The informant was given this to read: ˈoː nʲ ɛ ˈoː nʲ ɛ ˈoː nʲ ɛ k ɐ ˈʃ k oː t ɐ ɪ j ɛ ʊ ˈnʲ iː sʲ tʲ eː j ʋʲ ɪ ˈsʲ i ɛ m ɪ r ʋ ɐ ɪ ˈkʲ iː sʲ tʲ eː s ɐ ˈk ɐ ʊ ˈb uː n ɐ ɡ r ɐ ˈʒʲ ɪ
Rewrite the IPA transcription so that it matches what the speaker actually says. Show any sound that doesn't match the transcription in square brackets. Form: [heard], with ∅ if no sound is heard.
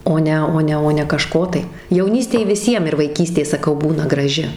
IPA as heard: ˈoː nʲ ɛ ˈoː nʲ ɛ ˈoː nʲ ɛ k ɐ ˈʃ k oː t ɐ ɪ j ɛ ʊ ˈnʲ iː sʲ tʲ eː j ʋʲ ɪ ˈsʲ i ɛ m ɪ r ʋ ɐ ɪ ˈkʲ iː sʲ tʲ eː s ɐ ˈk ɐ ʊ ˈb uː n ɐ ɡ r ɐ ˈʒʲ ɪ